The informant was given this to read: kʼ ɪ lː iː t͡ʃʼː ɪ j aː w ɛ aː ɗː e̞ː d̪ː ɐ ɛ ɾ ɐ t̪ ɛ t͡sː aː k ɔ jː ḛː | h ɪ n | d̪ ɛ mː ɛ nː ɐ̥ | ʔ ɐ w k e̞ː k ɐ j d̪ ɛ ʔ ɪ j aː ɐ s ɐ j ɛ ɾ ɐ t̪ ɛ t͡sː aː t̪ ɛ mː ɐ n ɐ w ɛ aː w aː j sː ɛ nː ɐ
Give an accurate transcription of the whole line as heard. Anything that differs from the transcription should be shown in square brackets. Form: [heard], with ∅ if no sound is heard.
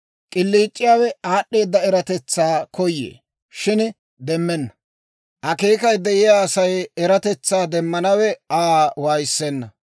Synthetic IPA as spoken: kʼ ɪ lː iː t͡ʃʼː ɪ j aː w ɛ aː ɗː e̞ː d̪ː ɐ ɛ ɾ ɐ t̪ ɛ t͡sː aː k ɔ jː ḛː | [ʃ] ɪ n | d̪ ɛ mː ɛ nː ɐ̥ | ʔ ɐ [∅] k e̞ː k ɐ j d̪ ɛ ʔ ɪ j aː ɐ s ɐ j ɛ ɾ ɐ t̪ ɛ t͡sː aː [d̪] ɛ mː ɐ n ɐ w ɛ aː w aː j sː ɛ nː ɐ